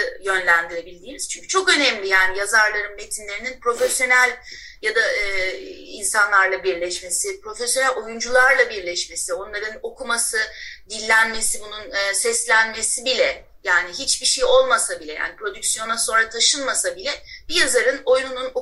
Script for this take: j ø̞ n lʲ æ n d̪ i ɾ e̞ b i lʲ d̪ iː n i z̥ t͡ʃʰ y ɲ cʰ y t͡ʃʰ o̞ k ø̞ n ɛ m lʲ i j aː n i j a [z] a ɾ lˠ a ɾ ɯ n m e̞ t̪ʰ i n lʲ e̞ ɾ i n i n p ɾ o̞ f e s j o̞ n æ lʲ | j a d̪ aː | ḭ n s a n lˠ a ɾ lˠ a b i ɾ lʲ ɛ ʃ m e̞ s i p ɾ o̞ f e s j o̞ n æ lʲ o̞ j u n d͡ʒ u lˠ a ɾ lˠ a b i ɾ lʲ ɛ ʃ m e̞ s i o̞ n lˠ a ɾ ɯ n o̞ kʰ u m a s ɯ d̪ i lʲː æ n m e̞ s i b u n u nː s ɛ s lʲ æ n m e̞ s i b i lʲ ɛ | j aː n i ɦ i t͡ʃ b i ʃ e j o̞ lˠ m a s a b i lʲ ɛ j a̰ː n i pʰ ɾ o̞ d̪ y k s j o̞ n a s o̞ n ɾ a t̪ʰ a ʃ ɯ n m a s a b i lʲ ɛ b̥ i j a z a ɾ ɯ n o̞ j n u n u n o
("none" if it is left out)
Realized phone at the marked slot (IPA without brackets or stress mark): z